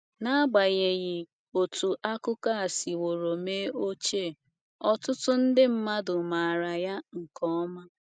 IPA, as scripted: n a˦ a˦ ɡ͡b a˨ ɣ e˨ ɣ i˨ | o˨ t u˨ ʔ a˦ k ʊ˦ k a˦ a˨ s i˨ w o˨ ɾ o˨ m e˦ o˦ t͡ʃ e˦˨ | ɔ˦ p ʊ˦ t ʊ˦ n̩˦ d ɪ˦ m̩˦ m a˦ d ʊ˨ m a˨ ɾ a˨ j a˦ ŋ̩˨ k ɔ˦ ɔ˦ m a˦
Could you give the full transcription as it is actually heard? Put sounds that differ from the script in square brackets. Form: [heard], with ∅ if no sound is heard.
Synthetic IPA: n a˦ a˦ ɡ͡b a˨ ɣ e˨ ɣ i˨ | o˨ t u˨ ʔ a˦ k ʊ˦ k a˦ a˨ s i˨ w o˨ ɾ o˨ m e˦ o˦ t͡ʃ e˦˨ | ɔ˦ [t] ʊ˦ t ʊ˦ n̩˦ d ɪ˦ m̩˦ m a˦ d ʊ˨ m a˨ ɾ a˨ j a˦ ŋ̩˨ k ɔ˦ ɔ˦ m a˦